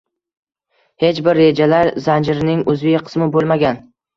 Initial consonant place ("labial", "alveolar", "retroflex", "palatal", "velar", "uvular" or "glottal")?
glottal